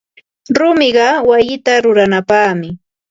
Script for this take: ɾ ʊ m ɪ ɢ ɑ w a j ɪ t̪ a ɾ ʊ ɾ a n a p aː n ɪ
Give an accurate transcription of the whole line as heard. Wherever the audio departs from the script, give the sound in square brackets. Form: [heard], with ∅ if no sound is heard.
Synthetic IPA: ɾ ʊ m ɪ ɢ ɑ w a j ɪ t̪ a ɾ ʊ ɾ a n a p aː [m] ɪ